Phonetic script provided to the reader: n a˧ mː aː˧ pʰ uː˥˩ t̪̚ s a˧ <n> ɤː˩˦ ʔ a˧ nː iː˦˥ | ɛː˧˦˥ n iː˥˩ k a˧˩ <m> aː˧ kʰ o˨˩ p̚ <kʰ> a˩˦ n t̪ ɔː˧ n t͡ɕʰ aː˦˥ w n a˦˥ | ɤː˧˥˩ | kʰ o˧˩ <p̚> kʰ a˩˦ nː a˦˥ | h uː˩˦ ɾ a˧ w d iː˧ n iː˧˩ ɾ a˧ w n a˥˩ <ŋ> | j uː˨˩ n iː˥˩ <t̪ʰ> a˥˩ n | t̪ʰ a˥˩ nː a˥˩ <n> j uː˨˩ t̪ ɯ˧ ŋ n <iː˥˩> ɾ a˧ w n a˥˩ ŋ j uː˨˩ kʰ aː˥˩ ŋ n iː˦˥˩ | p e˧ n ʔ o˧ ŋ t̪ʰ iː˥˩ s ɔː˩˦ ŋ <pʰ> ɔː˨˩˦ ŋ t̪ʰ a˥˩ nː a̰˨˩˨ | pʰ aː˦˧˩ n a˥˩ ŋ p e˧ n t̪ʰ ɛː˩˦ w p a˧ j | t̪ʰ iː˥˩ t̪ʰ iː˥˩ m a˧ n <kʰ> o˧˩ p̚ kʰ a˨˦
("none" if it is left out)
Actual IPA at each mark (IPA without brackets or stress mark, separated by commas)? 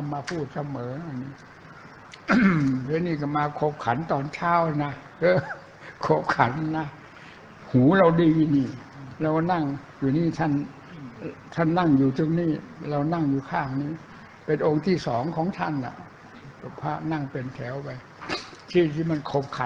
m, m, kʰ, p̚, ŋ, t̪ʰ, ŋ, iː˥˩, kʰ, kʰ